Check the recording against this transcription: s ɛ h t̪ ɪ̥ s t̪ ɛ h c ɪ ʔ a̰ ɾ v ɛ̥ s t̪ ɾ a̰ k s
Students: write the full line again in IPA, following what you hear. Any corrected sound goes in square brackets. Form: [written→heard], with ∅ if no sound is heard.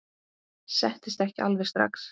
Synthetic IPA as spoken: s ɛ h t̪ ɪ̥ s t̪ ɛ h c ɪ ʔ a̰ [ɾ→l] v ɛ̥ s t̪ ɾ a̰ k s